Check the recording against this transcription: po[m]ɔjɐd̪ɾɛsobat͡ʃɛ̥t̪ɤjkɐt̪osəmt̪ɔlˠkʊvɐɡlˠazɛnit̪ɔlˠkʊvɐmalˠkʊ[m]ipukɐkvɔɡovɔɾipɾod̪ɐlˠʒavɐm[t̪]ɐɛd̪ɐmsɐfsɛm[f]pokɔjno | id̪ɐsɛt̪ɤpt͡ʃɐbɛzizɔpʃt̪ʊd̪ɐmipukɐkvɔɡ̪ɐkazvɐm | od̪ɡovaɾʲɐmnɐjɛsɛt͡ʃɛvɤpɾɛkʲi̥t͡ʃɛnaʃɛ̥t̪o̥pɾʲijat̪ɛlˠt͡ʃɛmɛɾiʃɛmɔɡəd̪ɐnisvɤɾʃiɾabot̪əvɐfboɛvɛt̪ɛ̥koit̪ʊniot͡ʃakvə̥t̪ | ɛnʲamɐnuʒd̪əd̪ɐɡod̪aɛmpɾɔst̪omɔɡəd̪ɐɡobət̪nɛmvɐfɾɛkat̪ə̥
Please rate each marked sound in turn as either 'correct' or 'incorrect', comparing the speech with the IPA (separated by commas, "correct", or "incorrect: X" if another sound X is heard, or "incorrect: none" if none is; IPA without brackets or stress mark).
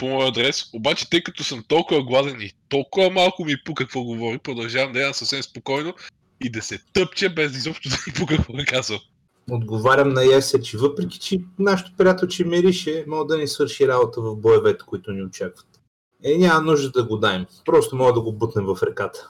correct, correct, incorrect: d̪, incorrect: s